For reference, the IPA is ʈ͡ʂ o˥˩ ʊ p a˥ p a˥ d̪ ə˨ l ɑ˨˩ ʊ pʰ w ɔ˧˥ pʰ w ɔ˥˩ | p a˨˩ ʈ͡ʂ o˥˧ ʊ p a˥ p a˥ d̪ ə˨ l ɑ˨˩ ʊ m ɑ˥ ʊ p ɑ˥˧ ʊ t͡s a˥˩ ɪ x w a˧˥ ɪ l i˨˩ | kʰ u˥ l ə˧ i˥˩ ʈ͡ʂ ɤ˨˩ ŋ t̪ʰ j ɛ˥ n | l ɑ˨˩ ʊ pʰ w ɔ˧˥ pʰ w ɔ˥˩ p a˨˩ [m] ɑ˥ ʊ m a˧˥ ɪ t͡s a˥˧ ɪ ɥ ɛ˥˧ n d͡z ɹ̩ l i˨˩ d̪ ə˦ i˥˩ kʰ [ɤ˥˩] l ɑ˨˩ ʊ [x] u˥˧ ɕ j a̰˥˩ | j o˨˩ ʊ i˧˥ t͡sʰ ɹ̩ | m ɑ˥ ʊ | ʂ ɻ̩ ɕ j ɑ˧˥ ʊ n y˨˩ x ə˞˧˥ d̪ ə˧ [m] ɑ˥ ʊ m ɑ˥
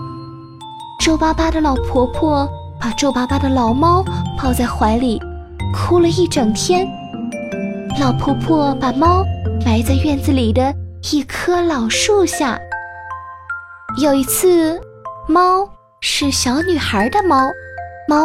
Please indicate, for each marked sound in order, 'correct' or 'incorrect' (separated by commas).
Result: correct, incorrect, incorrect, correct